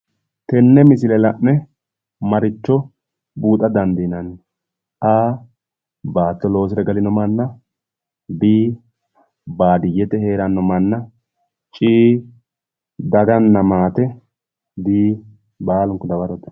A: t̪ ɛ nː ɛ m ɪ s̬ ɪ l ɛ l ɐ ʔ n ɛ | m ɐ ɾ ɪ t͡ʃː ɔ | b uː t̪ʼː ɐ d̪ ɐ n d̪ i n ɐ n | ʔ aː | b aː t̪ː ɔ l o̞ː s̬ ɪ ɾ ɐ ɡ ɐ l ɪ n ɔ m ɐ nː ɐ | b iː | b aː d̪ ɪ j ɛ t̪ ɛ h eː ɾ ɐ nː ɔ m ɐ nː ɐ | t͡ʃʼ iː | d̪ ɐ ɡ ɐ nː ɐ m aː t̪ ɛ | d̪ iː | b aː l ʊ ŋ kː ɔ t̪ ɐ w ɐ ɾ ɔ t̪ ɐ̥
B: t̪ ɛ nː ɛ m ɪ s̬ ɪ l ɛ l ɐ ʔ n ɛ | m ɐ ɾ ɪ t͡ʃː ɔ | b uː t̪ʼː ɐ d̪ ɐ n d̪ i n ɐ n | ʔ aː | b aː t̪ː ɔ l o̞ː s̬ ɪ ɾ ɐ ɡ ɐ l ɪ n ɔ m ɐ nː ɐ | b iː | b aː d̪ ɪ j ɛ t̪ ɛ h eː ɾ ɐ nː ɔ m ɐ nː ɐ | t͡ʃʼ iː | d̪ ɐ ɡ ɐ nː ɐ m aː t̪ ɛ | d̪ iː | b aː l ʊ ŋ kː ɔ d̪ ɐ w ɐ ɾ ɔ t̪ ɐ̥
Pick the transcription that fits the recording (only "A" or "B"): B